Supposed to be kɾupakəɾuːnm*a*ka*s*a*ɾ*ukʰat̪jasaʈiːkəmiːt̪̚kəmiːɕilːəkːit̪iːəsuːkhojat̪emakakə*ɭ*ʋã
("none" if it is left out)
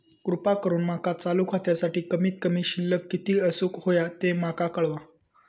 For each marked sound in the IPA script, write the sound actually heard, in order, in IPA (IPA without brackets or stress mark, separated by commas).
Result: a, t͡s, l, ɭ